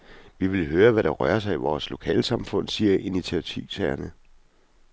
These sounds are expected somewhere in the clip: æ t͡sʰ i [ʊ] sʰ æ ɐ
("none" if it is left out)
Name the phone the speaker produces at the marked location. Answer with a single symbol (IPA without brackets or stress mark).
ʊ